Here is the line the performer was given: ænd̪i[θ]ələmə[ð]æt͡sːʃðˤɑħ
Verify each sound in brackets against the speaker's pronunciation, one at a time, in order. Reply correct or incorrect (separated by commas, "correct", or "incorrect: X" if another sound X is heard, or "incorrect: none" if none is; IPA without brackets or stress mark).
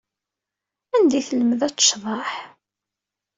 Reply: correct, correct